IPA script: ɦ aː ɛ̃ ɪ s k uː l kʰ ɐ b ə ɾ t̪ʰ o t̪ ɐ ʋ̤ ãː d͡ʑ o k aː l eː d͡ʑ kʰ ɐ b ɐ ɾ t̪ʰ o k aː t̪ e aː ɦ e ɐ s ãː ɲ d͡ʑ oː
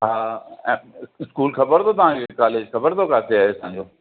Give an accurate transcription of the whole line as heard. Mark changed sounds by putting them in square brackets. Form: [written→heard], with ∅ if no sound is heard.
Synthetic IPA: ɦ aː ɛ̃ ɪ s k uː l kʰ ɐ b ə ɾ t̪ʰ o t̪ ɐ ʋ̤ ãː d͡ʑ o k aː l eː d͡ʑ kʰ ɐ b [ɐ→ə] ɾ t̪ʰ o k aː t̪ e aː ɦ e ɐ s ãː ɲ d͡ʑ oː